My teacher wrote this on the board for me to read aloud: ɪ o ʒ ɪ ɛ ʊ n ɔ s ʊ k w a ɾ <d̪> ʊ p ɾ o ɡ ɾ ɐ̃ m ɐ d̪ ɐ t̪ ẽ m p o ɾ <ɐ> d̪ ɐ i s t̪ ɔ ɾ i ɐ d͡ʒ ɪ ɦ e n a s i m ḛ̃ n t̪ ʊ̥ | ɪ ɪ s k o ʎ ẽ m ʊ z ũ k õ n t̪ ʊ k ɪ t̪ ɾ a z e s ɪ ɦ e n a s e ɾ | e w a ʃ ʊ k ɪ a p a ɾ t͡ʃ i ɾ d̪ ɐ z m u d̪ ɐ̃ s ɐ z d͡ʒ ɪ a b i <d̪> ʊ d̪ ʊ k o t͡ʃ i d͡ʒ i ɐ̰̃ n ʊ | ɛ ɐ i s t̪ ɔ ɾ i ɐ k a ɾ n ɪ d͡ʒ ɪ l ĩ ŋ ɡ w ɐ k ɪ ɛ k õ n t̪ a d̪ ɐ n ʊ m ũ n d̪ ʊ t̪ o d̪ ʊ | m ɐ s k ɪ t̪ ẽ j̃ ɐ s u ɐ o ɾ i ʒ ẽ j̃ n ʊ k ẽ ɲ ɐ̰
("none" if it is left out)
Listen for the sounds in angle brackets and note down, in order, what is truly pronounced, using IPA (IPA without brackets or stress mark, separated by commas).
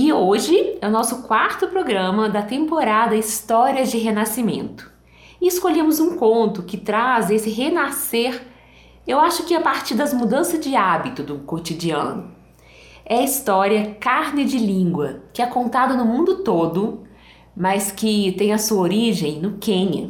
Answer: t̪, a, t̪